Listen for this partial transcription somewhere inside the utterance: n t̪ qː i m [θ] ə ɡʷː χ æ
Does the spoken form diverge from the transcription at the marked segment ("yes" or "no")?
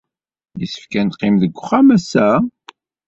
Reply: yes